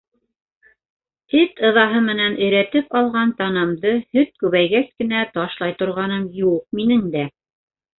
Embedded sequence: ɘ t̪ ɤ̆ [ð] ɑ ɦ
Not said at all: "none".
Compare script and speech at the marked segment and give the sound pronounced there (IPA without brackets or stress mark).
ð